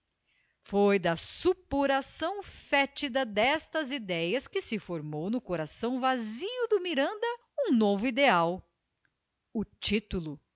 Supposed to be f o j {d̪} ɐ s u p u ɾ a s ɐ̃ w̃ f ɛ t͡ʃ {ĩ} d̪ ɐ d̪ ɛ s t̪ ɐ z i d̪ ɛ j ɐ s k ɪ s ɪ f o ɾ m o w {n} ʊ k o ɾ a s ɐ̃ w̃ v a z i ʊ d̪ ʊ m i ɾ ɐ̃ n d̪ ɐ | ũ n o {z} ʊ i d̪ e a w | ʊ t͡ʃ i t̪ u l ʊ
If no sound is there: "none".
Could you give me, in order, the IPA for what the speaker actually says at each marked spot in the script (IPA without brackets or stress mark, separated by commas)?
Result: d̪, i, n, v